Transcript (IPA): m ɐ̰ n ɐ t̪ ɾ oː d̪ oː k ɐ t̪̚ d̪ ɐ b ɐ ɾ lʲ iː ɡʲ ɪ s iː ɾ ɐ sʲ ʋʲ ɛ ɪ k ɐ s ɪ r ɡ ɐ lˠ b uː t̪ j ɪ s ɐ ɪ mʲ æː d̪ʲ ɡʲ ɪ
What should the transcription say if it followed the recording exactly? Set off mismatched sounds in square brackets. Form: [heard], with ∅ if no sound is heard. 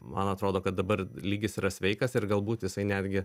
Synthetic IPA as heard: m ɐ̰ n ɐ t̪ ɾ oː d̪ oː k ɐ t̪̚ d̪ ɐ b ɐ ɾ lʲ iː ɡʲ ɪ s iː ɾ ɐ sʲ ʋʲ ɛ ɪ k ɐ s ɪ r ɡ ɐ lˠ b uː t̪ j ɪ s ɐ ɪ [nʲ] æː d̪ʲ ɡʲ ɪ